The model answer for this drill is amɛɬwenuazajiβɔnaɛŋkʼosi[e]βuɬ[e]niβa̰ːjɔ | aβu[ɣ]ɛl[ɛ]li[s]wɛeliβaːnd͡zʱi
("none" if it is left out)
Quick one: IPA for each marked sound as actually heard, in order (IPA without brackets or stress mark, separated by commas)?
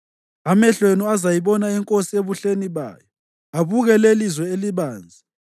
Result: e, e, ɣ, e, z